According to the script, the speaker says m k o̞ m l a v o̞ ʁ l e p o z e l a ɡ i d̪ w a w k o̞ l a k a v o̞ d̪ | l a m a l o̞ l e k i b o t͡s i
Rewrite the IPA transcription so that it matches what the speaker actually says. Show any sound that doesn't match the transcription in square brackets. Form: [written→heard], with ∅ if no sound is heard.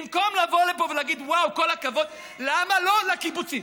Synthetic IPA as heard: m k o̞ m l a v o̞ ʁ l e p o [z→v] e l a ɡ i d̪ w a w k o̞ l a k a v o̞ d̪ | l a m a l o̞ l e k i b [o→u] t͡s i